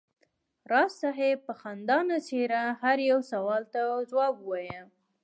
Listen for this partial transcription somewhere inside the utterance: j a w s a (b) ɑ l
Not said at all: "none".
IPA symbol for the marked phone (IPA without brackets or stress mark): w